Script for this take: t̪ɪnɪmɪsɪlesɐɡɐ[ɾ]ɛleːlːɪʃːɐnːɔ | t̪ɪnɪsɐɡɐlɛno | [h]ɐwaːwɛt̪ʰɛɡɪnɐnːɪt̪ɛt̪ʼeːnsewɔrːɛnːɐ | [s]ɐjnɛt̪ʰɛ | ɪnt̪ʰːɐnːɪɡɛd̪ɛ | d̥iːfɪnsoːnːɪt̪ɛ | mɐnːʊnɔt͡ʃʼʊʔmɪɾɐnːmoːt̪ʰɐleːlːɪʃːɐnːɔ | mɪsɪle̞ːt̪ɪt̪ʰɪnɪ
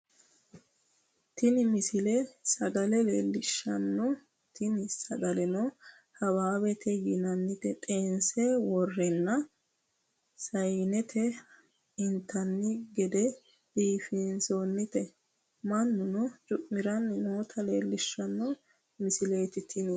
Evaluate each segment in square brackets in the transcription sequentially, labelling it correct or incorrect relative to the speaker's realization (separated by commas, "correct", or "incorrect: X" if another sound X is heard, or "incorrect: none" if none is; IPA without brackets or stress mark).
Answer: incorrect: l, correct, correct